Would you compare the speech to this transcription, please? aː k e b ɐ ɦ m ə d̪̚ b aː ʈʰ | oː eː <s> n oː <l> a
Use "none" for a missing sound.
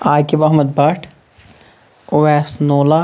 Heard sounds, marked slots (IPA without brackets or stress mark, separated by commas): s, l